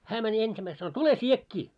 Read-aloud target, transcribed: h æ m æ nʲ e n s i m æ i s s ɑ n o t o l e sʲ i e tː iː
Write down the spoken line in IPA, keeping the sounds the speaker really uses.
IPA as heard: h æː m æ nʲ e n s i m æ i s s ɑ n o t u l e sʲ i e kː iː